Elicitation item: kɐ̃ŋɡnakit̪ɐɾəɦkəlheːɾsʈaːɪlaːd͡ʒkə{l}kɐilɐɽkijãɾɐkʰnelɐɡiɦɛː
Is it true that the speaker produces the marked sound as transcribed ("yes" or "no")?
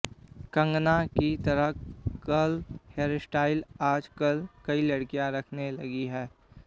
yes